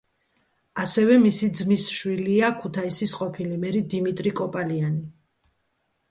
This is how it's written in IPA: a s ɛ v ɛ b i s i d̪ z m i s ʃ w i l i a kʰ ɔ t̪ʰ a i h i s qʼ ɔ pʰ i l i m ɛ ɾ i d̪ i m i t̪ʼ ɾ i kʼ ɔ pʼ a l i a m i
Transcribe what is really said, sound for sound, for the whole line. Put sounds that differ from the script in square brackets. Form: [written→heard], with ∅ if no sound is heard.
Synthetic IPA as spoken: a s ɛ v ɛ [b→m] i s i d̪ z m i s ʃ w i l i a kʰ [ɔ→u] t̪ʰ a i [h→s] i s qʼ ɔ pʰ i l i m ɛ ɾ i d̪ i m i t̪ʼ ɾ i kʼ ɔ pʼ a l i a [m→n] i